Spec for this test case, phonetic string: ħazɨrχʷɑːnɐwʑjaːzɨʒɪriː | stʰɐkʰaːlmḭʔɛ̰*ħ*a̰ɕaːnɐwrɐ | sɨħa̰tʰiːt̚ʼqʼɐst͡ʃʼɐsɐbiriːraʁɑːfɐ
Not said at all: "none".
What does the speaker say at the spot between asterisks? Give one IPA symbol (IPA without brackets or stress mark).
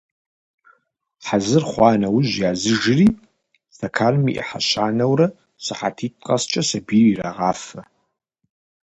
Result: ħ